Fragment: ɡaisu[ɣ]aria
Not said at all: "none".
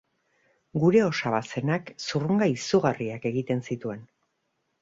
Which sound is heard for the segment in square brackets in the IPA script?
ɣ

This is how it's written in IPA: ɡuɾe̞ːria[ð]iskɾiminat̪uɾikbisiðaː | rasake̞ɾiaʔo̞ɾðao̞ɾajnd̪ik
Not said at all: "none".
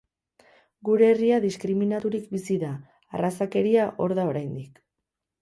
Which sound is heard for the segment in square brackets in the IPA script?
ð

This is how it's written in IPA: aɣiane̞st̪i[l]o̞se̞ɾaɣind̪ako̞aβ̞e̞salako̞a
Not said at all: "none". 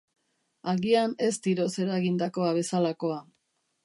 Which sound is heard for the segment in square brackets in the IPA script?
ɾ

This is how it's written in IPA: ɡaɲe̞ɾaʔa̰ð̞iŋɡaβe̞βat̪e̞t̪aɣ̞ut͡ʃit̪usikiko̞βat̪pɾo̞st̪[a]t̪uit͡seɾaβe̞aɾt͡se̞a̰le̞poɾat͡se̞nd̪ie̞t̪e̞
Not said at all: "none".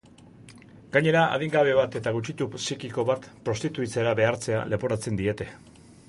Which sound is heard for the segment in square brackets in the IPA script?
i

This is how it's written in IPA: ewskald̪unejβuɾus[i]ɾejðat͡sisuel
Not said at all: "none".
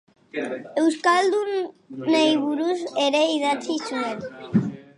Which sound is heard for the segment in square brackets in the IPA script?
e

